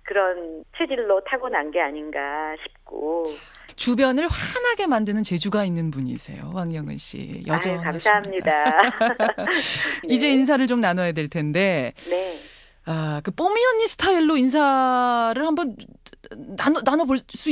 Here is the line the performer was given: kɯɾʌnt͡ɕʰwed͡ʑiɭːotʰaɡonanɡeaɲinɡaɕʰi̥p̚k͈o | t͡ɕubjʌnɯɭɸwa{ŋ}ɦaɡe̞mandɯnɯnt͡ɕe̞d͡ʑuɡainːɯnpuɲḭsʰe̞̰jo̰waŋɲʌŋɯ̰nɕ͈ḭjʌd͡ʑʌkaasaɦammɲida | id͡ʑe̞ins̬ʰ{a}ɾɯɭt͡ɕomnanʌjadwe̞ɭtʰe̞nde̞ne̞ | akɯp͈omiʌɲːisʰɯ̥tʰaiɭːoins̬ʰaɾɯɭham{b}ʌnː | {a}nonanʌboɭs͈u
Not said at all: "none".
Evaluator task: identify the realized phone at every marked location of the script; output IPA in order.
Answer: n, a, b, a

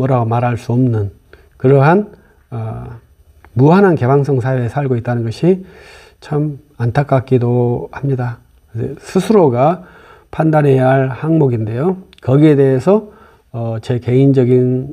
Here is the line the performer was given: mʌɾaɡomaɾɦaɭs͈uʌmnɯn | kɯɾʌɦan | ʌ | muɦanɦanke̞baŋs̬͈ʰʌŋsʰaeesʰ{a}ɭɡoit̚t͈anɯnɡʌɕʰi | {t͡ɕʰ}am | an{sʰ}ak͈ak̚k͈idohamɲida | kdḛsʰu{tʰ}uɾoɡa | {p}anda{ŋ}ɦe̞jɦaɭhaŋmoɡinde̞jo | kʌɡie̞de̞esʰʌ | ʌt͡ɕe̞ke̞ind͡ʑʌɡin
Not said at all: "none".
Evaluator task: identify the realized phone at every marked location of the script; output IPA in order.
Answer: a, t͡ɕʰ, tʰ, sʰ, pʰ, n

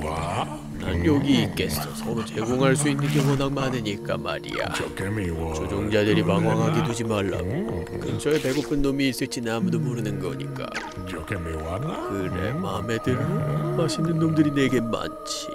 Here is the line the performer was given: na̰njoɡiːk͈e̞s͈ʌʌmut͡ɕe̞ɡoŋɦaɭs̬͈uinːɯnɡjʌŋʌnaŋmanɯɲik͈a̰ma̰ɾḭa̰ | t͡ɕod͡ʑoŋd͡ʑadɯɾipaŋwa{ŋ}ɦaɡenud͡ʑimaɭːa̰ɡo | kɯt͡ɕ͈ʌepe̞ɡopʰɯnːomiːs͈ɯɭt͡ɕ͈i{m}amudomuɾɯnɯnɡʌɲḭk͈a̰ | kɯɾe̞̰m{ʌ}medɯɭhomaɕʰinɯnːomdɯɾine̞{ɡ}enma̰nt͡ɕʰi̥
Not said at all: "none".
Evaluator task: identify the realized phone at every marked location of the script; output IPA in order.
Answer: ŋ, n, a, ɡ

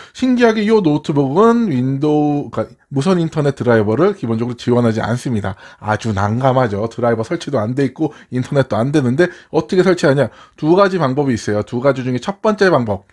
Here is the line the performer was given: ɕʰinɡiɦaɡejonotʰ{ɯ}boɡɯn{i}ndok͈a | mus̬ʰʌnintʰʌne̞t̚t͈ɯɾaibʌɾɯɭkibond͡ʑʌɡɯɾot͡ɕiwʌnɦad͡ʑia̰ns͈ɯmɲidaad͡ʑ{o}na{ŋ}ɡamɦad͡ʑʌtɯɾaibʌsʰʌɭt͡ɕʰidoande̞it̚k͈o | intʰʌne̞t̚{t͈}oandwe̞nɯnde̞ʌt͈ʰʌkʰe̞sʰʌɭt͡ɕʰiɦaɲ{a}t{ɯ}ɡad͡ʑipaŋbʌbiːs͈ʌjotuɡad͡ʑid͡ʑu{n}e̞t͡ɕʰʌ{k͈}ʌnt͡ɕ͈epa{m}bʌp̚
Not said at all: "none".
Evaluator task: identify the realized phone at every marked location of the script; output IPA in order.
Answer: ɯ, i, u, ŋ, t͈, a, u, ŋ, p͈, ŋ

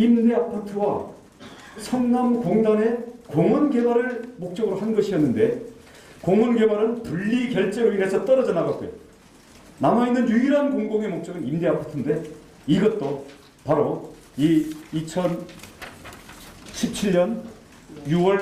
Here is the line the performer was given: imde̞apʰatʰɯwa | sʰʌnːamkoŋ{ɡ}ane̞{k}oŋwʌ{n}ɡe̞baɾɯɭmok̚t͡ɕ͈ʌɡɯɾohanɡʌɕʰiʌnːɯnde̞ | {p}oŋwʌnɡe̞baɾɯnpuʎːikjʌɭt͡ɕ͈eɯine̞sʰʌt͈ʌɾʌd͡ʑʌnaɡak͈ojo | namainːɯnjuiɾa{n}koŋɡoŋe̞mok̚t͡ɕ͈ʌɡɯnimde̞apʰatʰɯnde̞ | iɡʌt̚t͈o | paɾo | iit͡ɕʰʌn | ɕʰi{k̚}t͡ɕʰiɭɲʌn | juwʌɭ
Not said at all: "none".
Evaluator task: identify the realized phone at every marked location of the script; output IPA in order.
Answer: d, k, n, k, n, p̚

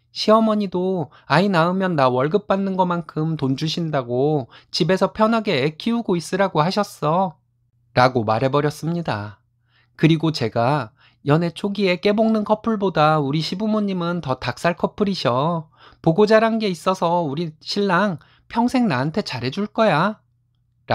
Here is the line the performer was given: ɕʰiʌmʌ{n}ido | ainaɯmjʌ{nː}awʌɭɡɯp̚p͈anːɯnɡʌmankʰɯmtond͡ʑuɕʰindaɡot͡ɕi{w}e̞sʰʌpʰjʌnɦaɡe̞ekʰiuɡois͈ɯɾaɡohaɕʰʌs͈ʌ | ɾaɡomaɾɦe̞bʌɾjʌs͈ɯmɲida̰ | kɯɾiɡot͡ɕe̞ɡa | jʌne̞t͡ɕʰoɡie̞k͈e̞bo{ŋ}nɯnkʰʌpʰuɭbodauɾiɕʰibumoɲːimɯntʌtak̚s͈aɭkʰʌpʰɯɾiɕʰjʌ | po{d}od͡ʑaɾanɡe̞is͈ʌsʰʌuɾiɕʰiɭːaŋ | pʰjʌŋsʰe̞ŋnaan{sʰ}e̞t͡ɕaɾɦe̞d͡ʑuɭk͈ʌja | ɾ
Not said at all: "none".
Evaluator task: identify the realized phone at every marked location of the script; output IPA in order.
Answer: ɲ, nː, b, ŋ, ɡ, tʰ

